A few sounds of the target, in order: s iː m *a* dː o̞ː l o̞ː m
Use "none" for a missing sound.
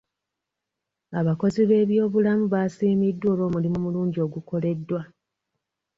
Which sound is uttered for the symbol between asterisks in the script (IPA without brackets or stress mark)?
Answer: i